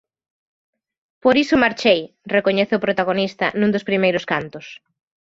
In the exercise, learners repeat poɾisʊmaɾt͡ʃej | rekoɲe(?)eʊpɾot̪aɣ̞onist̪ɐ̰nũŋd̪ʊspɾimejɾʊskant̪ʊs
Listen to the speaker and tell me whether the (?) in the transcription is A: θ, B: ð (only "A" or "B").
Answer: A